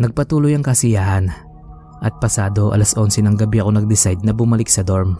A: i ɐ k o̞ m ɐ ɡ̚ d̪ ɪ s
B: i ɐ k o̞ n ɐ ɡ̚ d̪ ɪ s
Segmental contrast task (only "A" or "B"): B